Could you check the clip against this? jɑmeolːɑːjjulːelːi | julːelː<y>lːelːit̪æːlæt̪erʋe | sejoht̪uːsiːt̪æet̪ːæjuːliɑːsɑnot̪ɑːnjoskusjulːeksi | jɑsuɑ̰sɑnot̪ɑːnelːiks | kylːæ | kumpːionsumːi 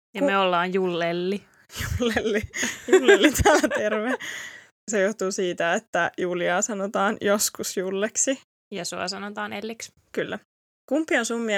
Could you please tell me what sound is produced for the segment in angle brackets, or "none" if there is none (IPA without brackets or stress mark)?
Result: i